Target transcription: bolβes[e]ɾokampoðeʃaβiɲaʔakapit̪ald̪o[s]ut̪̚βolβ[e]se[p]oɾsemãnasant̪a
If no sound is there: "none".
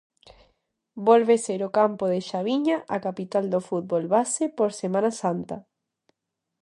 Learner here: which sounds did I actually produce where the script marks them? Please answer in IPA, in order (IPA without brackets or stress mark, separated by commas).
e, f, a, p